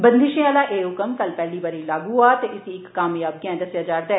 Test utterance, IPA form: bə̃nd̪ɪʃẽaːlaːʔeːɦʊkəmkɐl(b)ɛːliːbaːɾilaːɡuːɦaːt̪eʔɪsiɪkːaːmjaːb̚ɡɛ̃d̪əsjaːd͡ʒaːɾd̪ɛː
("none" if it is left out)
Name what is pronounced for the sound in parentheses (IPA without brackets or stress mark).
p